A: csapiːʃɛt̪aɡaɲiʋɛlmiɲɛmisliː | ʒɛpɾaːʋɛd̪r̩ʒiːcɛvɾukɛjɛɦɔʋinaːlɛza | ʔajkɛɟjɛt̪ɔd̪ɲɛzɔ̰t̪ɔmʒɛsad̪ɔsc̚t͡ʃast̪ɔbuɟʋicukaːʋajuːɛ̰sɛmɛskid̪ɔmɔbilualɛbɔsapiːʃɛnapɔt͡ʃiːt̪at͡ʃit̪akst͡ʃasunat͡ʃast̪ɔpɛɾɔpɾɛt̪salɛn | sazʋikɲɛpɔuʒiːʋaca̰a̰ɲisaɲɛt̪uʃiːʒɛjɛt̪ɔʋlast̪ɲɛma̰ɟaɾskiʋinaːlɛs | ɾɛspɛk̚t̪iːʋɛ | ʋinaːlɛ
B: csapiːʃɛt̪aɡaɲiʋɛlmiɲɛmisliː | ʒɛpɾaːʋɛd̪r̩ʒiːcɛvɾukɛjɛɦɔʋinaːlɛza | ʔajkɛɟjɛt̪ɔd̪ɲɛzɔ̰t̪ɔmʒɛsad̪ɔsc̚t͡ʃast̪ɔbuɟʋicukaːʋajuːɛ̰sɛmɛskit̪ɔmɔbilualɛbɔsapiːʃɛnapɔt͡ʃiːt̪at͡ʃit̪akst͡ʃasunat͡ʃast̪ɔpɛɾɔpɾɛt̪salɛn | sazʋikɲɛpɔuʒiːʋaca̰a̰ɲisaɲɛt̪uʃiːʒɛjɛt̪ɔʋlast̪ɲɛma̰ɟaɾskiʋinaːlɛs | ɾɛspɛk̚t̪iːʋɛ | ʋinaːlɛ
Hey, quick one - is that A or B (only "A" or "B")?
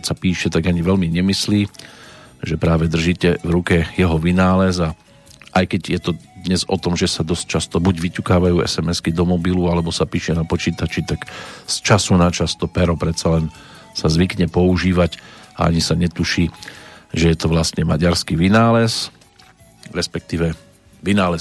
A